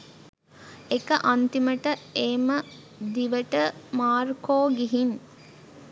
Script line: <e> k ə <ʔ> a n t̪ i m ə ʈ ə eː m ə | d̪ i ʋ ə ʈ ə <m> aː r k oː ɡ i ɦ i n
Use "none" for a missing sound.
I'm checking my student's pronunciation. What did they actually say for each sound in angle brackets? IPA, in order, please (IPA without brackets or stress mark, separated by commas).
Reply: e, ʔ, m